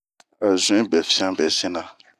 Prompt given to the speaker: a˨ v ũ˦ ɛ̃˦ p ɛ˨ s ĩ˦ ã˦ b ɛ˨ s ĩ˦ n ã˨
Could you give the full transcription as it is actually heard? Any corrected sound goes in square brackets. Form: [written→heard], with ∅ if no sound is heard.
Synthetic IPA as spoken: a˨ [v→z] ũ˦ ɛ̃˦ [p→b] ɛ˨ [s→f] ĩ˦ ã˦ b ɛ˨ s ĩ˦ n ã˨